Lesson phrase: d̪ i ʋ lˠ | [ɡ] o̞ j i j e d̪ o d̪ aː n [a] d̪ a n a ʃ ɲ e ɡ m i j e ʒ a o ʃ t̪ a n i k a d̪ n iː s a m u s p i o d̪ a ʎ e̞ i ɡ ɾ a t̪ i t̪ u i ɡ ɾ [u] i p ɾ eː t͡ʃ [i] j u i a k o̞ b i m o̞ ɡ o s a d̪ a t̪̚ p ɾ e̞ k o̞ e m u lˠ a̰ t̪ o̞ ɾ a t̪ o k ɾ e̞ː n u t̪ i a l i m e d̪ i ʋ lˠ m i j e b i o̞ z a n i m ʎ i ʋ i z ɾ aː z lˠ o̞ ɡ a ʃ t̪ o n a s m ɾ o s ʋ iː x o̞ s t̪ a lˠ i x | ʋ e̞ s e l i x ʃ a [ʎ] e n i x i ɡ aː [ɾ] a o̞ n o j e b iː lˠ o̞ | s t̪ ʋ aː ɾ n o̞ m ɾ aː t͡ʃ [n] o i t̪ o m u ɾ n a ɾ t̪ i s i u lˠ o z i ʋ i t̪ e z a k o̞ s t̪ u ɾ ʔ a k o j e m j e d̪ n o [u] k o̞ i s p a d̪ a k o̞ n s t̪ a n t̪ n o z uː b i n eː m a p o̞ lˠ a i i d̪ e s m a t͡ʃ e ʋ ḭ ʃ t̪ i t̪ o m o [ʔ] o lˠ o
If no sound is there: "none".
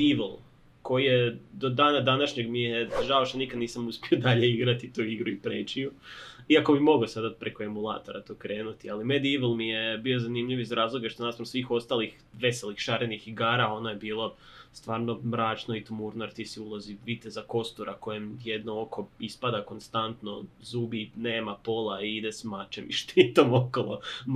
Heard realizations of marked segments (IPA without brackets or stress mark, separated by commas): k, a, u, i, ɾ, ɾ, n, o, k